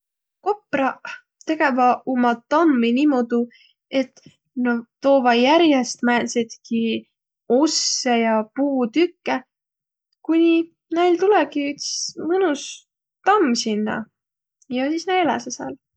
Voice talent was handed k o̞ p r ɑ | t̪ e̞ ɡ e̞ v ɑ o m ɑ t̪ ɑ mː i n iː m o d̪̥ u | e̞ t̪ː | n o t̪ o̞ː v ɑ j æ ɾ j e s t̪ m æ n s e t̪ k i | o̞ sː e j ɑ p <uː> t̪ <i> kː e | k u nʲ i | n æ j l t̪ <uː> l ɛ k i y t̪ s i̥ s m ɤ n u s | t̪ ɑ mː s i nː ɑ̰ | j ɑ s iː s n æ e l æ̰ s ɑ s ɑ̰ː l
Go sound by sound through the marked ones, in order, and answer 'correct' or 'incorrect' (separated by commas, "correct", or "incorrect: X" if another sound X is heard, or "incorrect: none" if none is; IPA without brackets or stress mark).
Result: correct, incorrect: y, incorrect: u